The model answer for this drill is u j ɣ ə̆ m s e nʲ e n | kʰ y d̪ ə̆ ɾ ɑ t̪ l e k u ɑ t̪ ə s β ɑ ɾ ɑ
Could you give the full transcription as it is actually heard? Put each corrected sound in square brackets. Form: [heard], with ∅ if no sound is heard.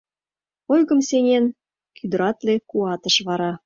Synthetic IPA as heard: [o] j ɣ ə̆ m s e nʲ e n | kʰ y d̪ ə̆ ɾ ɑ t̪ l e k u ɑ t̪ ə [ʃ] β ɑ ɾ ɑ